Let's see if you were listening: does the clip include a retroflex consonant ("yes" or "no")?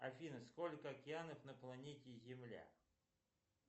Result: no